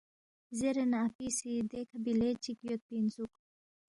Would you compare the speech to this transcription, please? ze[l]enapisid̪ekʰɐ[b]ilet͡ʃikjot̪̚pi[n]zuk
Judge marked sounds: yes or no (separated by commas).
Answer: no, yes, yes